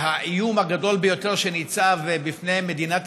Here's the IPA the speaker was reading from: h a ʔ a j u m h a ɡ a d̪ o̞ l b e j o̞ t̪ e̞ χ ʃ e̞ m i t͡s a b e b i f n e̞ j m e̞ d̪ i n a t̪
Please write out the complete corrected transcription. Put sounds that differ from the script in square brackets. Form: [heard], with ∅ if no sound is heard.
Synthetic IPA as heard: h a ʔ [i] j u m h a ɡ a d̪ o̞ l b e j o̞ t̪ e̞ [ʁ] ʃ e̞ [n] i t͡s a [v] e b i f n e̞ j m e̞ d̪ i n a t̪